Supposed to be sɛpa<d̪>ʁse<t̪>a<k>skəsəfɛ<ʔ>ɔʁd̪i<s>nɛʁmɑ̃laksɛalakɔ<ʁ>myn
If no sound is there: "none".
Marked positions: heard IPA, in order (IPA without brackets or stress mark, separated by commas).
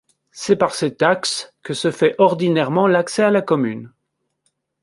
none, t̪, k, ʔ, none, none